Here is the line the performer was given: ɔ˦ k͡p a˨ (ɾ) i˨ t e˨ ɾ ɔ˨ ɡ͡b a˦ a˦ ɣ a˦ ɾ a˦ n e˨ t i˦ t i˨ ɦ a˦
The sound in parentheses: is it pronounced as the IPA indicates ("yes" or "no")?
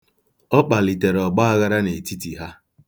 no